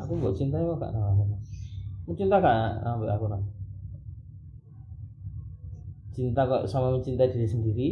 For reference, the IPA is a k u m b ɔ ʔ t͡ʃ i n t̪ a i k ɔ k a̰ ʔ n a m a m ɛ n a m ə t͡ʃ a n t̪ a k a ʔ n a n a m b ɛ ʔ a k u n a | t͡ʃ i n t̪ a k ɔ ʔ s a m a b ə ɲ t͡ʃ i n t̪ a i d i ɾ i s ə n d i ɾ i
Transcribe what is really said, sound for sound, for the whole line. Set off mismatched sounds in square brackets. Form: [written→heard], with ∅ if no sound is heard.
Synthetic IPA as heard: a k u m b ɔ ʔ t͡ʃ i n t̪ a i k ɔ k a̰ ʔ n a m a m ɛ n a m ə t͡ʃ [a→i] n t̪ a k a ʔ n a n a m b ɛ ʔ a k u n a | t͡ʃ i n t̪ a k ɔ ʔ s a m a [b→m] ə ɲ t͡ʃ i n t̪ a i d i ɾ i s ə n d i ɾ i